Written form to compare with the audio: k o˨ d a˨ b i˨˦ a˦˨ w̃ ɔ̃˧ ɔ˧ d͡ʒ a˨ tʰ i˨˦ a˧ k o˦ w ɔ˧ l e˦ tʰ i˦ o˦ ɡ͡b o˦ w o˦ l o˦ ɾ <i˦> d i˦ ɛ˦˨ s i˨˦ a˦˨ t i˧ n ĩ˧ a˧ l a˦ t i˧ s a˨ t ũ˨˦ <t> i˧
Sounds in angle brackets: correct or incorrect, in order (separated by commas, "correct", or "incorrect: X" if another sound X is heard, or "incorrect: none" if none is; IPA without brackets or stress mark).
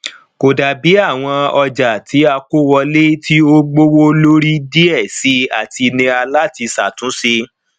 correct, incorrect: s